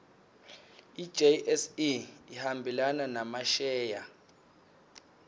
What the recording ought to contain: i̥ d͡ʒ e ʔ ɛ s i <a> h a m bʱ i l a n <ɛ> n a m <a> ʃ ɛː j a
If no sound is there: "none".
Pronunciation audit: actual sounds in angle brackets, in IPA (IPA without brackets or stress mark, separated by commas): i, a, a